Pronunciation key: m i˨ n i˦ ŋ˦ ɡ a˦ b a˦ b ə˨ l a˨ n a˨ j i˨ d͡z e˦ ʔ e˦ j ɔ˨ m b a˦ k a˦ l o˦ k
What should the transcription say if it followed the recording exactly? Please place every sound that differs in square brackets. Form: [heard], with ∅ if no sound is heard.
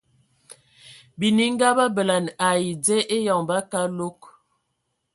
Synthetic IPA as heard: [b] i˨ n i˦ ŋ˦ ɡ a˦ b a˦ b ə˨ l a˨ n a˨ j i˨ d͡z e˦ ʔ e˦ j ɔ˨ [ŋ] b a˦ k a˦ l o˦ k

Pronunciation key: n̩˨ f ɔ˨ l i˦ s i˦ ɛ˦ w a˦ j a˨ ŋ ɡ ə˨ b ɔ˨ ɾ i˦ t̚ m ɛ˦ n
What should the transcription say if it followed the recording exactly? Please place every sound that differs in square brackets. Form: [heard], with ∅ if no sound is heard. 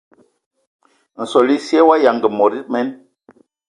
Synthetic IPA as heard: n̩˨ [s] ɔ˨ l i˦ s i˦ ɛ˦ w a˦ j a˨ ŋ ɡ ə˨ [m] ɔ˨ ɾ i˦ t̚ m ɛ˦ n

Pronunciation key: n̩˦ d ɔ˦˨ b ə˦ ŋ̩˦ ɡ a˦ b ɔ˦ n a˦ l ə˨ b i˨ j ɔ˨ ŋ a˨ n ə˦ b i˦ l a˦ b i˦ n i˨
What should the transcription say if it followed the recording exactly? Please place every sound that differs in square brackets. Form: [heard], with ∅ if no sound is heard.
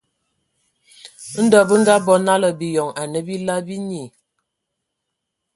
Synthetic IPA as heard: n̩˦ d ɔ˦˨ b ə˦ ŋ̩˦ ɡ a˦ b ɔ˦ n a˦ l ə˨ b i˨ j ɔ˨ ŋ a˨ n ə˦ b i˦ l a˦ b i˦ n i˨

